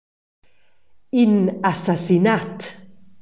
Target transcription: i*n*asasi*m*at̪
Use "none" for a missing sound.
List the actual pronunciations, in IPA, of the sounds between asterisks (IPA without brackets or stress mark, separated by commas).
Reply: n, n